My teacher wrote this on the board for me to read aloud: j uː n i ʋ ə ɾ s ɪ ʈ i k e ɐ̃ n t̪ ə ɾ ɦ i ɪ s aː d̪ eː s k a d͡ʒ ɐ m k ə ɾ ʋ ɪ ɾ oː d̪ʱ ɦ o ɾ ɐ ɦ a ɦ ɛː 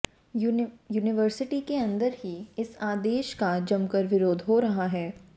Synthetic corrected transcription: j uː n ɪ ʋ ə ɾ s ɪ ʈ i k e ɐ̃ n d̪ ə ɾ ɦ i ɪ s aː d̪ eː ʃ k a d͡ʒ ɐ m k ə ɾ ʋ ɪ ɾ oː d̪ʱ ɦ o ɾ ɐ ɦ a ɦ ɛː